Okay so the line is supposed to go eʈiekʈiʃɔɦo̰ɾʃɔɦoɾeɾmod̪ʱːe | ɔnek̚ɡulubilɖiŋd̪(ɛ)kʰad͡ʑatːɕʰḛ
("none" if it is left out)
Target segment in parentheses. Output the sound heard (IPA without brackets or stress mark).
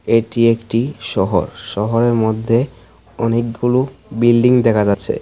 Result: ɛ